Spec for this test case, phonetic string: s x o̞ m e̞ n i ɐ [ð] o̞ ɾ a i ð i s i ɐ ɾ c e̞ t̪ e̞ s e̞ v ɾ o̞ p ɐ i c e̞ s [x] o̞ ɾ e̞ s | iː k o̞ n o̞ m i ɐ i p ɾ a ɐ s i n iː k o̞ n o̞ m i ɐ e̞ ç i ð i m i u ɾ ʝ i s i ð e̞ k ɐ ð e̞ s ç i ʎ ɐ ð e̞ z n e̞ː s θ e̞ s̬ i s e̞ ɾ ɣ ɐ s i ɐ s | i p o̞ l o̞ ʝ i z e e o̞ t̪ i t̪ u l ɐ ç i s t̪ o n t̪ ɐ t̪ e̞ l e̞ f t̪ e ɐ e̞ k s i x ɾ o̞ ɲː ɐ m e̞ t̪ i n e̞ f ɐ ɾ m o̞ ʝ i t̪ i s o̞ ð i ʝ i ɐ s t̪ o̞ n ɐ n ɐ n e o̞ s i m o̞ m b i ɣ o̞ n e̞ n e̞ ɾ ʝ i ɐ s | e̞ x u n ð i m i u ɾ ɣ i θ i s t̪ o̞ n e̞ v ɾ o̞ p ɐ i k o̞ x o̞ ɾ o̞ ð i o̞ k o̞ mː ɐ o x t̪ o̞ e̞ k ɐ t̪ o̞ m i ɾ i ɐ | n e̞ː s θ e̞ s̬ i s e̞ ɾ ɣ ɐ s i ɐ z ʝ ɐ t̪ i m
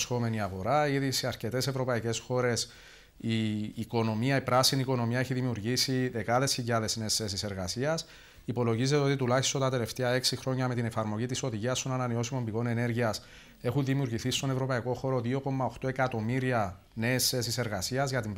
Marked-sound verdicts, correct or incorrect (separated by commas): incorrect, correct